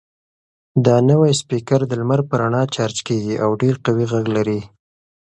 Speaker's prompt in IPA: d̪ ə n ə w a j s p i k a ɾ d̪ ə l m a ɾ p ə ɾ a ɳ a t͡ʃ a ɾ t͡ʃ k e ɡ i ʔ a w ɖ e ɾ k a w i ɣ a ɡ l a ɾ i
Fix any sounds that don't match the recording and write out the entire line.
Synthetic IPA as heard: d̪ ɑ n ə w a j s p i k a ɾ d̪ ə l m a ɾ p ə ɾ a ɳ ɑ t͡ʃ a ɾ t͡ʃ k e ɡ i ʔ a w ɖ e ɾ q a w i ɣ a ɡ l a ɾ i